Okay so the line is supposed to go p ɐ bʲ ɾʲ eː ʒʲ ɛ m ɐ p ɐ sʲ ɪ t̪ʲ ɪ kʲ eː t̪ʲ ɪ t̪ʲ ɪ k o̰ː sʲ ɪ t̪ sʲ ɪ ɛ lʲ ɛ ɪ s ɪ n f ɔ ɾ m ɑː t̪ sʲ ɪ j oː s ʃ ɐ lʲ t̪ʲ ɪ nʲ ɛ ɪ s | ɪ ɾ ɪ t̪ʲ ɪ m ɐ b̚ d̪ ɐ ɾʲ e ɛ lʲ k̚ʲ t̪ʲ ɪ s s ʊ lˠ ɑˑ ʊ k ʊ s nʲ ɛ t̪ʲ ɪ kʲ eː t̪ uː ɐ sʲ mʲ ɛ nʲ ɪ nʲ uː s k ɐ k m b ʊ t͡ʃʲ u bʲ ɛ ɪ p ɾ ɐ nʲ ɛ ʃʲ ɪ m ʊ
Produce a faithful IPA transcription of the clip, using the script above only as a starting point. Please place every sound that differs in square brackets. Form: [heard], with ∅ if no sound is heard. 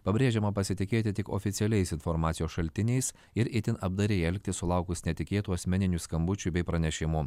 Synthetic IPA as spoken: p ɐ bʲ ɾʲ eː ʒʲ ɛ m ɐ p ɐ sʲ ɪ t̪ʲ ɪ kʲ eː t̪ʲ ɪ t̪ʲ ɪ k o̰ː [fʲ] ɪ t̪ sʲ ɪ ɛ lʲ ɛ ɪ s ɪ n f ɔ ɾ m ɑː t̪ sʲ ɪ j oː s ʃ ɐ lʲ t̪ʲ ɪ nʲ ɛ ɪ s | ɪ ɾ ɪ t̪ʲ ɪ [n] ɐ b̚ d̪ ɐ ɾʲ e ɛ lʲ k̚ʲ t̪ʲ ɪ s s ʊ lˠ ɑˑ ʊ k ʊ s nʲ ɛ t̪ʲ ɪ kʲ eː t̪ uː ɐ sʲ mʲ ɛ nʲ ɪ nʲ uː s k ɐ [∅] m b ʊ t͡ʃʲ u bʲ ɛ ɪ p ɾ ɐ nʲ ɛ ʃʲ ɪ m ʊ